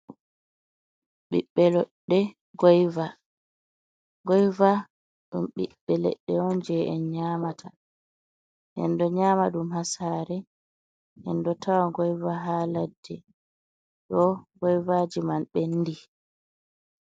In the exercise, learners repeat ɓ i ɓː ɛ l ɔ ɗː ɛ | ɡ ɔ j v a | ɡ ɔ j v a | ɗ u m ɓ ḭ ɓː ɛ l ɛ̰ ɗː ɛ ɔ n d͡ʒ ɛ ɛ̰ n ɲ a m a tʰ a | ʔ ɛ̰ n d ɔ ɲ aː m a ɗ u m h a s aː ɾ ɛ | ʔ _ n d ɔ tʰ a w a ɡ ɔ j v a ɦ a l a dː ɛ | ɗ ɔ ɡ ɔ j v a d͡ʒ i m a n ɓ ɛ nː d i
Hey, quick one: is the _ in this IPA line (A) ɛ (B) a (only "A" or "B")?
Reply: A